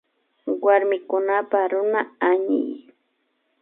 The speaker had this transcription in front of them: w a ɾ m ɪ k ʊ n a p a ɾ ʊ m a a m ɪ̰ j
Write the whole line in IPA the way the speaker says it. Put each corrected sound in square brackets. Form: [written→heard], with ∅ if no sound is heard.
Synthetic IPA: w a ɾ m ɪ k ʊ n a p a ɾ ʊ [m→n] a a [m→ɲ] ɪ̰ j